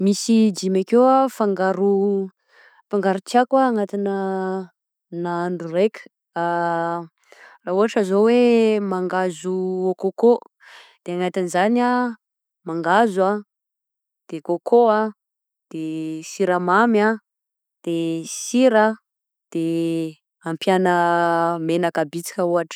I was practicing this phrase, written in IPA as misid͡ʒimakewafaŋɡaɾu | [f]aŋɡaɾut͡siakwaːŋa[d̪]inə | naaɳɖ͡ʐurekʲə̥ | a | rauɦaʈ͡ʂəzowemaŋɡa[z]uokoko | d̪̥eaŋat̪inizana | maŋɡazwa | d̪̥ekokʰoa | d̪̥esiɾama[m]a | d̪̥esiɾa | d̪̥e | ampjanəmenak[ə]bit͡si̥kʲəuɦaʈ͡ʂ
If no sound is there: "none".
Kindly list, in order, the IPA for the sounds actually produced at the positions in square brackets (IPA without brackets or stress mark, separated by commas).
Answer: f, t̪, z, m, a